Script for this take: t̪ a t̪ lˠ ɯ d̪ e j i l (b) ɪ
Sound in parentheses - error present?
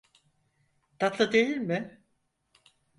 yes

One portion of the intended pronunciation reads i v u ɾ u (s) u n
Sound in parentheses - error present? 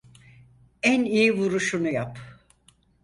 yes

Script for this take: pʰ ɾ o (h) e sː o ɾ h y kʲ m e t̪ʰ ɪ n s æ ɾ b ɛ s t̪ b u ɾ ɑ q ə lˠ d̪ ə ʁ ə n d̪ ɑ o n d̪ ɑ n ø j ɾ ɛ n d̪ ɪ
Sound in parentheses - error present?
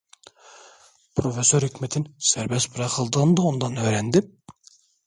yes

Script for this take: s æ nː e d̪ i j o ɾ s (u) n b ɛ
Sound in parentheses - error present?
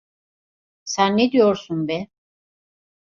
no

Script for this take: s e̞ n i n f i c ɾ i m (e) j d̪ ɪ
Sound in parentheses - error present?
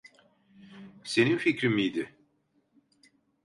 yes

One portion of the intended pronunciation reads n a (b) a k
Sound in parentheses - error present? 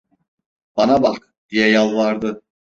no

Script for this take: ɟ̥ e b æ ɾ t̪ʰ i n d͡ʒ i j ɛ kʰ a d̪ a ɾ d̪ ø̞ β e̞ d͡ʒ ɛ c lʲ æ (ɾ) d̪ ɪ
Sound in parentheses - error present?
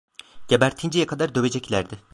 no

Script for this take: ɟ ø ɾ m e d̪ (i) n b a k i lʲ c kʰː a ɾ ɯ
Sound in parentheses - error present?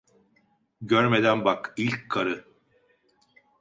yes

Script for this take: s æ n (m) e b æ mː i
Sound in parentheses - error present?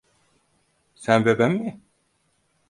yes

